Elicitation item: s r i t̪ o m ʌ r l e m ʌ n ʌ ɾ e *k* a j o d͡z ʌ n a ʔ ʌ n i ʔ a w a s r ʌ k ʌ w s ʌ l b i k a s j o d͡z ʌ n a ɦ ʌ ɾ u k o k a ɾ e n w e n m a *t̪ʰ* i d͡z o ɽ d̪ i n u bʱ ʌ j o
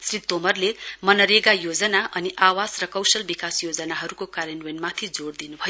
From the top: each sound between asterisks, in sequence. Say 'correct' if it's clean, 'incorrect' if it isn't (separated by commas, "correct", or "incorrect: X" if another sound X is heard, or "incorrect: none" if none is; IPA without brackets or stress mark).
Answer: incorrect: ɡ, correct